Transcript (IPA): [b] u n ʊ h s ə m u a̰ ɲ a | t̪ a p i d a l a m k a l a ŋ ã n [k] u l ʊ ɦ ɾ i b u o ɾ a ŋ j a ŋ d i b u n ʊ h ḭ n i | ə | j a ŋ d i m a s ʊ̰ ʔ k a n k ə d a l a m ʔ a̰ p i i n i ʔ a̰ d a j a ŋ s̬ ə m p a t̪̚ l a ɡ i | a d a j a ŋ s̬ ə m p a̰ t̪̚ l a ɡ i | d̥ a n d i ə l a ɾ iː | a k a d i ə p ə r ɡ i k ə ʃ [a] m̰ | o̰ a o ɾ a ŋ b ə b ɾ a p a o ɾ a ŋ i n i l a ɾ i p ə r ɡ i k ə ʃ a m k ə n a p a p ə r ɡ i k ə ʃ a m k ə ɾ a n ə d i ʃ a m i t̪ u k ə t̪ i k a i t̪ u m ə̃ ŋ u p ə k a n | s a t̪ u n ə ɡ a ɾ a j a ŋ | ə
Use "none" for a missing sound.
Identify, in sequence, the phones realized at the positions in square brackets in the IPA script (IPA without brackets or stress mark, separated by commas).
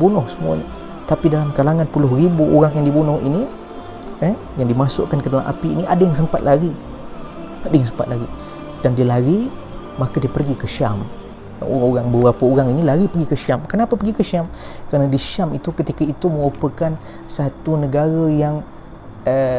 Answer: b, p, a